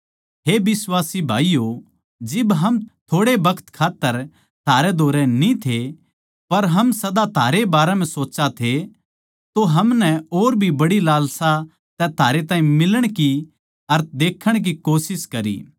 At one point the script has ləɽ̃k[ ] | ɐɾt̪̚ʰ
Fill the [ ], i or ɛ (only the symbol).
i